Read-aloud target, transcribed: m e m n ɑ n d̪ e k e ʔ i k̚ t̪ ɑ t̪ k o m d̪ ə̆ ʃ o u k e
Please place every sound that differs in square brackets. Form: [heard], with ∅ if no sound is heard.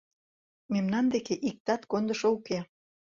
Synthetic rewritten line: m e m n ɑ n d̪ e k e ʔ i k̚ t̪ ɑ t̪ k o [n] d̪ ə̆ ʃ o u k e